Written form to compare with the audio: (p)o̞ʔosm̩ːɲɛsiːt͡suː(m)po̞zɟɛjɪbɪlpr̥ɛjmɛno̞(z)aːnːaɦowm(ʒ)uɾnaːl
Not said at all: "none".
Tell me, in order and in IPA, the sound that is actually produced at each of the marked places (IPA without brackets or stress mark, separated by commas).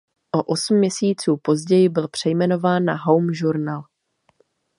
ʔ, none, v, ʒ